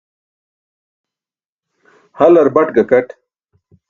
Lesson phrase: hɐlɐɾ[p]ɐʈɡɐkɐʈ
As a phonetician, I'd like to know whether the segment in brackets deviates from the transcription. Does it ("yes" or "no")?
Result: yes